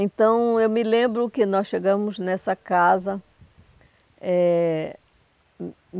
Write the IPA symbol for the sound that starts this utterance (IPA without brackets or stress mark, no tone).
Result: ẽ